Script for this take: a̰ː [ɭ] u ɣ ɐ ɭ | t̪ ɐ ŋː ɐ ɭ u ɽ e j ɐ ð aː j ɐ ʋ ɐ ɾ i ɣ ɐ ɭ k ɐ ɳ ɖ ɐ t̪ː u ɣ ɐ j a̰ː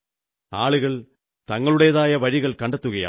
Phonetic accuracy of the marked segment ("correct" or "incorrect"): correct